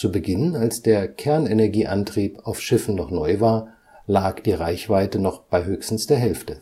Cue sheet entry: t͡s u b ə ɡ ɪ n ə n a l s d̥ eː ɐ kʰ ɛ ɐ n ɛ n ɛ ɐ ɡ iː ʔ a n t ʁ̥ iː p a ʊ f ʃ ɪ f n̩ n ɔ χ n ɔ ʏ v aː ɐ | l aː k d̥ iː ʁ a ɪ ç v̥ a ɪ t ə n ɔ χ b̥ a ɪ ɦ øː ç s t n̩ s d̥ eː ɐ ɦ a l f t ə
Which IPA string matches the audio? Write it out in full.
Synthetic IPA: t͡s u b ə ɡ ɪ n ə n a l s d̥ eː ɐ kʰ ɛ ɐ n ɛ n ɛ ɐ ɡ iː ʔ a n t ʁ̥ iː p a ʊ f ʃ ɪ f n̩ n ɔ χ n ɔ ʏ v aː ɐ | l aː k d̥ iː ʁ a ɪ ç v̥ a ɪ t ə n ɔ χ b̥ a ɪ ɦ øː ç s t n̩ s d̥ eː ɐ ɦ ɛ l f t ə